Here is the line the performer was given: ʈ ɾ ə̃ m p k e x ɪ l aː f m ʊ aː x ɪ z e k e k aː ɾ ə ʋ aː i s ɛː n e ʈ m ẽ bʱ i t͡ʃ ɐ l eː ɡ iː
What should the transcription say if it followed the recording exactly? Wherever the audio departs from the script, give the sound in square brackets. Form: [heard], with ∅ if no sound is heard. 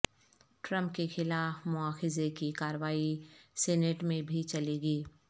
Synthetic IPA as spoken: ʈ ɾ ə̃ m p k e x ɪ l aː f m ʊ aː x ɪ z e k [i] k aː ɾ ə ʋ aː i s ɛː n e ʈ m ẽ bʱ i t͡ʃ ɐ l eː ɡ iː